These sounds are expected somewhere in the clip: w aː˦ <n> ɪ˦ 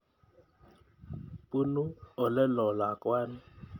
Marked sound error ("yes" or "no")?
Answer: no